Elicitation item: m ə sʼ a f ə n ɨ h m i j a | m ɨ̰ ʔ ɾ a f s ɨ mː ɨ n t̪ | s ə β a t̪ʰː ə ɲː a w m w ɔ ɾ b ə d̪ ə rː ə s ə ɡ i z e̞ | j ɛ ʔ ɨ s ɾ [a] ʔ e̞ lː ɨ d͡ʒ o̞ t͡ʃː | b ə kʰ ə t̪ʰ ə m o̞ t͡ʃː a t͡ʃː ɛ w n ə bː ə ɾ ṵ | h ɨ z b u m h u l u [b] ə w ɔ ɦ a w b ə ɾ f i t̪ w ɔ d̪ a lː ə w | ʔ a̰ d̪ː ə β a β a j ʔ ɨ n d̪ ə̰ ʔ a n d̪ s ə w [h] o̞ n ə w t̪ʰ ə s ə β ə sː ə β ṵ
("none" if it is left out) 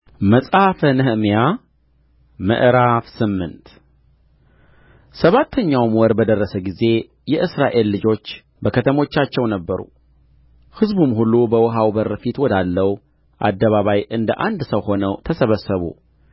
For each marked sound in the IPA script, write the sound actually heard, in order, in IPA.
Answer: a, b, h

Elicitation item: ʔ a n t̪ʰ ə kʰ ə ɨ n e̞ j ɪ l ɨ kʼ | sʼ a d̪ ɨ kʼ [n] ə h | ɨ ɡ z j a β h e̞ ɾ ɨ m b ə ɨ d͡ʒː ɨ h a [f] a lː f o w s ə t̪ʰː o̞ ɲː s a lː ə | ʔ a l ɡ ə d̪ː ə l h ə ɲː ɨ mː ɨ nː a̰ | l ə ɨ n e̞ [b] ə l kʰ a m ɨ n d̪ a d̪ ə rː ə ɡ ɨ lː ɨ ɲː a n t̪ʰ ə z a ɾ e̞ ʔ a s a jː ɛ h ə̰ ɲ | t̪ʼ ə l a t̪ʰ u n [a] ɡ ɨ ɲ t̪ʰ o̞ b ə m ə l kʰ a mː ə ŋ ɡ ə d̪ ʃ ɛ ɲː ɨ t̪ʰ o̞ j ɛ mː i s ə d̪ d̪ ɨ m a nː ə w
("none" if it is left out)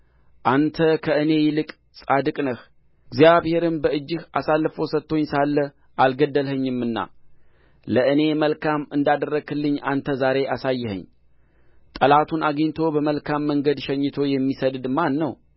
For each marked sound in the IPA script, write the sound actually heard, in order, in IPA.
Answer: n, s, m, a

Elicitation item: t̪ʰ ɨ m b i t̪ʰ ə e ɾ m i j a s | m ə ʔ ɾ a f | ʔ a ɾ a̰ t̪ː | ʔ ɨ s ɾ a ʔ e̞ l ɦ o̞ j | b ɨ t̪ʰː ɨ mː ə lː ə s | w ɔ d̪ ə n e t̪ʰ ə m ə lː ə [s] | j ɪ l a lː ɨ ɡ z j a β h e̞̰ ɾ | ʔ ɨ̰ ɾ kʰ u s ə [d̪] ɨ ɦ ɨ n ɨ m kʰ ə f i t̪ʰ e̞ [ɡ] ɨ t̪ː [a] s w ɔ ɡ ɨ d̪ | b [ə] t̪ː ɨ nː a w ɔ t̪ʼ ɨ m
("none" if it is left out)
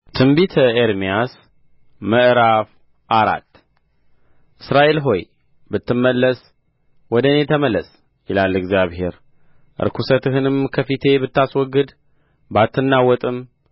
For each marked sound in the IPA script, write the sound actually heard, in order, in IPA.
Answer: s, t̪, b, a, a

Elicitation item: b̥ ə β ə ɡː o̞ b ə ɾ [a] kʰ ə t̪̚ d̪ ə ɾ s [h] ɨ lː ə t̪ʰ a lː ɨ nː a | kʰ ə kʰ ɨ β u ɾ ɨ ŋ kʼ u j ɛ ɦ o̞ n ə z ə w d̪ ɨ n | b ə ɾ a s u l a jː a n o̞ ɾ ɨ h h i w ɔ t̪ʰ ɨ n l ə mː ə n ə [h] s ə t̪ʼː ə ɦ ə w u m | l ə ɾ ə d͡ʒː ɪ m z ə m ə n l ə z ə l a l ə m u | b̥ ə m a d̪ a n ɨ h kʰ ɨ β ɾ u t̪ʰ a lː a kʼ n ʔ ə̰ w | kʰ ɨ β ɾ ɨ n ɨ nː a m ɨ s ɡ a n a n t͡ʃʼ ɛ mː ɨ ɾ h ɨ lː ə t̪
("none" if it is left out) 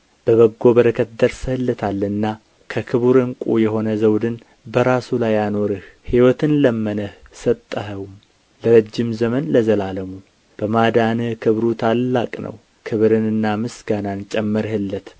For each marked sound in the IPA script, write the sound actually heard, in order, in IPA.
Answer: ə, h, h

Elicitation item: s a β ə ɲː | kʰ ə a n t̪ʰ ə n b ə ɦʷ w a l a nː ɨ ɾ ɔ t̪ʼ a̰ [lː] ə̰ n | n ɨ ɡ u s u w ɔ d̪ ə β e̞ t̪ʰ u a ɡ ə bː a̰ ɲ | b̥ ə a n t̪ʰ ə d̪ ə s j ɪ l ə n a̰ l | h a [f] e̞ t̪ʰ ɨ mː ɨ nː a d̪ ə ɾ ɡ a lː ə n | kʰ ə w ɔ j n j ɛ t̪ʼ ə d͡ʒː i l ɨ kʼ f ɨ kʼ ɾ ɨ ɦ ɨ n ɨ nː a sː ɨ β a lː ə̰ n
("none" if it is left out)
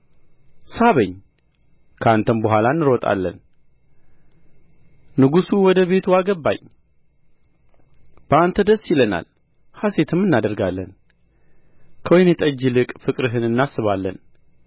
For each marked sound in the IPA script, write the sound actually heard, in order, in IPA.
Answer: lː, s

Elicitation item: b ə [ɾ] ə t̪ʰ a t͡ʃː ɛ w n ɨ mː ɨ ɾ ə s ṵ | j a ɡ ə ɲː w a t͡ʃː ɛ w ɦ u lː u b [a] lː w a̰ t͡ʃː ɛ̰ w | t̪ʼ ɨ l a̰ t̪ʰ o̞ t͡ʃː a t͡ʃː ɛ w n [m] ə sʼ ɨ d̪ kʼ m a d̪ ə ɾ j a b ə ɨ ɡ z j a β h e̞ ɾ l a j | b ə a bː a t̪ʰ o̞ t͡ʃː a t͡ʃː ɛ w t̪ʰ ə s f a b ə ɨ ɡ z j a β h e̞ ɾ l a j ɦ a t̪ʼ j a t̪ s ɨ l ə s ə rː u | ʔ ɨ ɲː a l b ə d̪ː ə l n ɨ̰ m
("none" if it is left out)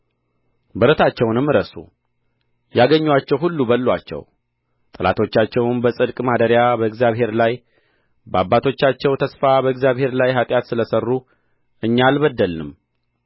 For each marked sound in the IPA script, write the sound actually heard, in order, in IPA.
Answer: ɾ, ə, b

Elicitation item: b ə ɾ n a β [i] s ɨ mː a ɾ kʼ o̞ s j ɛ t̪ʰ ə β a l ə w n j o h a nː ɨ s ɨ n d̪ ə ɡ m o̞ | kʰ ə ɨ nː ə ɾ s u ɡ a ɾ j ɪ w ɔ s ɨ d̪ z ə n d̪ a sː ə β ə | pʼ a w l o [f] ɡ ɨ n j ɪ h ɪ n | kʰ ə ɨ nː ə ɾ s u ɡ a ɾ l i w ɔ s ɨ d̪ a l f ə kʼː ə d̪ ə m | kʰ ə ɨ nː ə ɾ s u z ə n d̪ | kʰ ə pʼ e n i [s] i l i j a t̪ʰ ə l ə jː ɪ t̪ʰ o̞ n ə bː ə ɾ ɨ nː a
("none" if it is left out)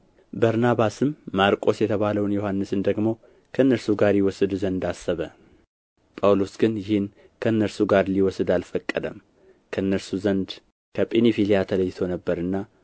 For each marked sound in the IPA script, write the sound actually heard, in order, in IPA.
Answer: a, s, f

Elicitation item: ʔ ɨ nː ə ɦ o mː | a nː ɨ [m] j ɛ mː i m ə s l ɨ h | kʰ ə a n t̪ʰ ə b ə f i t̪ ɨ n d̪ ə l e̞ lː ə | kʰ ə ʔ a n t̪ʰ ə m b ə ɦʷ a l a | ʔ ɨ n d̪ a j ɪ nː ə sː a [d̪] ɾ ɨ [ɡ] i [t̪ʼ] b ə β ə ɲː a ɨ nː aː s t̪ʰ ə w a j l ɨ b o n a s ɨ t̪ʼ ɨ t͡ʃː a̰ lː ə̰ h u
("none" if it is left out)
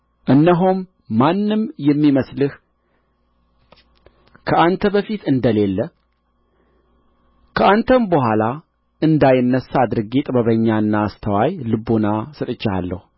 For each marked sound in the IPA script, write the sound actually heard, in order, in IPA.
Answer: m, d̪, ɡ, t̪ʼ

